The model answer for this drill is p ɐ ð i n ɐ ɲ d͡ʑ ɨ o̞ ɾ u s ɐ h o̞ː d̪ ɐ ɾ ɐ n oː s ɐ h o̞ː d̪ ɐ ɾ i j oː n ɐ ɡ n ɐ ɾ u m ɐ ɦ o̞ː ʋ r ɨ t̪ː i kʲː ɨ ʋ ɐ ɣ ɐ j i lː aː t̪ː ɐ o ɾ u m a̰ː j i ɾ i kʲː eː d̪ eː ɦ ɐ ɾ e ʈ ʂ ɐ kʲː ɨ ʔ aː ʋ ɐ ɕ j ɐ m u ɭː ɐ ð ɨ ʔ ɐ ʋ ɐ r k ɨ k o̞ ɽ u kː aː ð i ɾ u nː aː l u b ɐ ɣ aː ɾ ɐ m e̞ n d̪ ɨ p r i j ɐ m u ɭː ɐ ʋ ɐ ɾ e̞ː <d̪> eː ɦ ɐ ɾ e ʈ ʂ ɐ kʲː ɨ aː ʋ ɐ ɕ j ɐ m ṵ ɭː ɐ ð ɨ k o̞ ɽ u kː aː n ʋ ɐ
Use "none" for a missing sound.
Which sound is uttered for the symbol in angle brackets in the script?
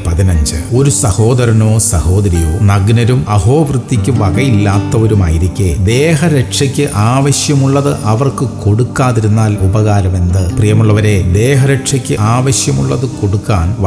d̪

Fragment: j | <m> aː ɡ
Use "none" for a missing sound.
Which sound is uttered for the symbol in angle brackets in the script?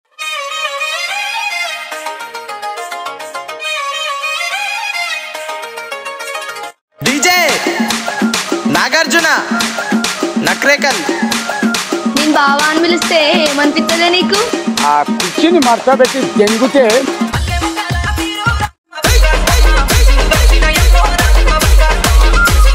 n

